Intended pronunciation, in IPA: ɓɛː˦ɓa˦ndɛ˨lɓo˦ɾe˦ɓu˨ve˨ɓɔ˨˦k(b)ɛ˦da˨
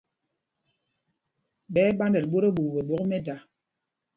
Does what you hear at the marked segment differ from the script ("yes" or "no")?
yes